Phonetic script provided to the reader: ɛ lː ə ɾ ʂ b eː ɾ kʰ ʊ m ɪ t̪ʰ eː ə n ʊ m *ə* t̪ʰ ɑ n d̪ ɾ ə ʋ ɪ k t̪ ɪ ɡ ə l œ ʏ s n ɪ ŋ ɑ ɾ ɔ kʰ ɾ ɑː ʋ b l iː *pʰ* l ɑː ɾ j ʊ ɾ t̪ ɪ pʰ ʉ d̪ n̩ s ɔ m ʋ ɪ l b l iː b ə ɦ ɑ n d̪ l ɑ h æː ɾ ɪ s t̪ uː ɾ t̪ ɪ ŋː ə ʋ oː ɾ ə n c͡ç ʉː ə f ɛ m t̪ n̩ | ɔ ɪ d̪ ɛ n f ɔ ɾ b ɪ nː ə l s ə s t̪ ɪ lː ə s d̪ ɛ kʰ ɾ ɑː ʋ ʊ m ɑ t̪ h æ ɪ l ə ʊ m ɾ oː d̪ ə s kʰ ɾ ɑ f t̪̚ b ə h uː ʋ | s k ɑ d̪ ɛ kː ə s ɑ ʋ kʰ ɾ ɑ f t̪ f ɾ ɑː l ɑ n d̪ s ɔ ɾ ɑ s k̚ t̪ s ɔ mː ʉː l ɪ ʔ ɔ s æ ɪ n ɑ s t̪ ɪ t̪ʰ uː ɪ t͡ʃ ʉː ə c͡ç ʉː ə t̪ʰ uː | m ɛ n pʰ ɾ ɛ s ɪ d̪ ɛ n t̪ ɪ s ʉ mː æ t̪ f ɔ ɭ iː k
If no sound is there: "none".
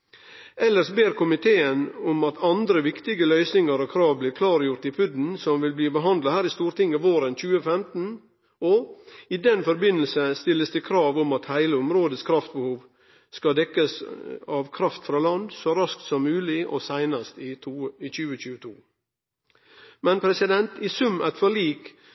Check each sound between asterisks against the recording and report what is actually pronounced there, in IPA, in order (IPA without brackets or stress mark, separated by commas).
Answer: ɑ, kʰ